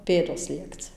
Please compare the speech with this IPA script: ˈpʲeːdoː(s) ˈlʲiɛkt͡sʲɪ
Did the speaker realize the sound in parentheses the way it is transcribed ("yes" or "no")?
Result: yes